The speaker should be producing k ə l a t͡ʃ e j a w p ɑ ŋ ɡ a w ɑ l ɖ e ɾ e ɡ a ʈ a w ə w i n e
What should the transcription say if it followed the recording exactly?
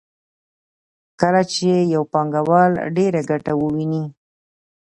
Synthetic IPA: k ə l a t͡ʃ e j a w p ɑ ŋ ɡ a w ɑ l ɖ e ɾ a ɡ a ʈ a w ə w i n i